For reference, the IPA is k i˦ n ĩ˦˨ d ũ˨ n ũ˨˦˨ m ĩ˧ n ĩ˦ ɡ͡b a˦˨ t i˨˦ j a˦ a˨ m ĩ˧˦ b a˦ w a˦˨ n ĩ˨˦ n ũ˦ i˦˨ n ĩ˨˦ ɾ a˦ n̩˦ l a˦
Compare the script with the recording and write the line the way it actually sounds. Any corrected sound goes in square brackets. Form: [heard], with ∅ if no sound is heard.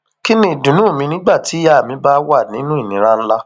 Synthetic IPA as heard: k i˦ n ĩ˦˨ d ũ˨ n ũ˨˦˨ m ĩ˧ n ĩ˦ ɡ͡b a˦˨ t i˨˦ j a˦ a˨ m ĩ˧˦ b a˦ w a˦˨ n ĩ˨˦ n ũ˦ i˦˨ n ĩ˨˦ ɾ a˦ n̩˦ l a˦